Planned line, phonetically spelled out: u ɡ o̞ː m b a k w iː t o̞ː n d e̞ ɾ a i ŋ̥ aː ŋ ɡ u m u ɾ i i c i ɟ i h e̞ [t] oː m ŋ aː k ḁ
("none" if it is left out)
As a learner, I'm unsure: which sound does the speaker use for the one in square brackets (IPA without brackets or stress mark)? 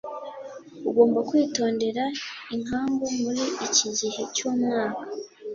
c